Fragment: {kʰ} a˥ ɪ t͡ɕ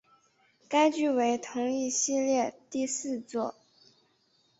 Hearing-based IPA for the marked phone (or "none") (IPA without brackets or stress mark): k